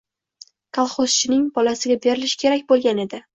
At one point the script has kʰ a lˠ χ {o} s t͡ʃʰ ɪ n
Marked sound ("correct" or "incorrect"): correct